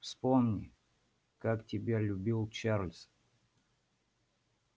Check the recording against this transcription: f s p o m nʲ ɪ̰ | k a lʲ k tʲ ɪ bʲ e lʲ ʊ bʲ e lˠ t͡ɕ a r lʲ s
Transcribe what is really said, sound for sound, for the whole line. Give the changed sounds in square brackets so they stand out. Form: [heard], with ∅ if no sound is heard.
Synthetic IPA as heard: f s p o m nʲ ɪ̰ | k a [∅] k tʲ ɪ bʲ e lʲ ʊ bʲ [i] lˠ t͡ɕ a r lʲ s